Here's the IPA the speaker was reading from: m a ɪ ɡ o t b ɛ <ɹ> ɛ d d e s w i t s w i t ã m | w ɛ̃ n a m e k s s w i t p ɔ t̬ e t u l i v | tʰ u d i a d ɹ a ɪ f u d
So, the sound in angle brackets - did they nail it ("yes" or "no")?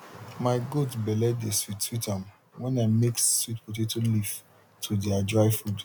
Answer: no